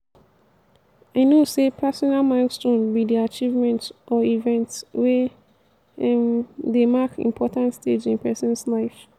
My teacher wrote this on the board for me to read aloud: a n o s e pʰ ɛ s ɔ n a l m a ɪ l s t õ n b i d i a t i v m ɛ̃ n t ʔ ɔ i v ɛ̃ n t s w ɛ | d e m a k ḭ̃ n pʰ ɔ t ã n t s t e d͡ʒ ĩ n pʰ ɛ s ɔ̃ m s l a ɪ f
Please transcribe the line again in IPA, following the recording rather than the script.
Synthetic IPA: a n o s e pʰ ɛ s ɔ n a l m a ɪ l s t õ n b i d i a t͡ʃ i v m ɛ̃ n t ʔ ɔ i v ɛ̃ n t s w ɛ | d e m a k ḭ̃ m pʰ ɔ t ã n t s t e d͡ʒ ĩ n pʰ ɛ s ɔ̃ n s l a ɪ f